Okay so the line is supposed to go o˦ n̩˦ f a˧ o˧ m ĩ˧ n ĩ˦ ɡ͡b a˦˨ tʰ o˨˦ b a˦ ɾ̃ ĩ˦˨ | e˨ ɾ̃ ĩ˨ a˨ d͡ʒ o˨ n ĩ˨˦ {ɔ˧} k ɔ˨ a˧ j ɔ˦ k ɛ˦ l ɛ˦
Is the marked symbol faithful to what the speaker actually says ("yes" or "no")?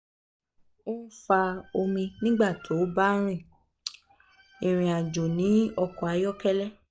yes